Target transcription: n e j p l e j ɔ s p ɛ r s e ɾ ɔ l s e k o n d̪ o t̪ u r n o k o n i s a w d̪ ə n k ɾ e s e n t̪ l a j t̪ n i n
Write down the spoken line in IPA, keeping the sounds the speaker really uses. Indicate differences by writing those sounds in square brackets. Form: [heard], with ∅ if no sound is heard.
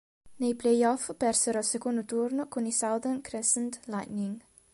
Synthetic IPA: n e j p l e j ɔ [f] p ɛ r s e ɾ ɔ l s e k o n d̪ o t̪ u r n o k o n i s a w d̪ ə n k ɾ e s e n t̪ l a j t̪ n i [ŋ]